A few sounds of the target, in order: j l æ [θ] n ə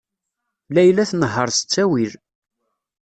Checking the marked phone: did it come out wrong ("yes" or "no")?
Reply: no